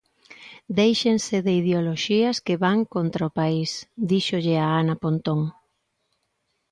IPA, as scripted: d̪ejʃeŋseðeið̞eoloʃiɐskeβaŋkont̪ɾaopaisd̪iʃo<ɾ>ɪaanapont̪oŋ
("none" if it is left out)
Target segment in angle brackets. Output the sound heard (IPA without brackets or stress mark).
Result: ʎ